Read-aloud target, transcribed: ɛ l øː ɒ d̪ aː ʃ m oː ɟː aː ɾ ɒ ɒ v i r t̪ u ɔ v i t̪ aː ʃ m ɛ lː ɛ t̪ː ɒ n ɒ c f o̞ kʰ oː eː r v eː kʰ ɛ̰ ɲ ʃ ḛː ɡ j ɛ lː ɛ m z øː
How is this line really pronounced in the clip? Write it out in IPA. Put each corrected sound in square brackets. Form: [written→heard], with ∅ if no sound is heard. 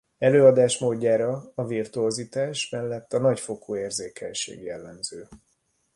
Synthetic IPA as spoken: ɛ l øː ɒ d̪ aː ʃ m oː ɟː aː ɾ ɒ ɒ v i r t̪ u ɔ [v→z] i t̪ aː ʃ m ɛ lː ɛ t̪ː ɒ n ɒ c f o̞ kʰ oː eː r [v→z] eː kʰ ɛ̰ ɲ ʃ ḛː ɡ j ɛ lː ɛ m z øː